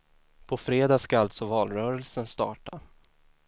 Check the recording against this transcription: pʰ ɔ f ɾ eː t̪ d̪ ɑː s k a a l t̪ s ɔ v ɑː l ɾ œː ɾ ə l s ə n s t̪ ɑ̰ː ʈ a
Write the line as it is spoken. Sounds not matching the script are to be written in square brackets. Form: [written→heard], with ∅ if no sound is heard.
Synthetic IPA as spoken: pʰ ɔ f ɾ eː [t̪→∅] d̪ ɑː s k a a l t̪ s ɔ v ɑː l ɾ œː ɾ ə l s ə n s t̪ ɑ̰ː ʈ a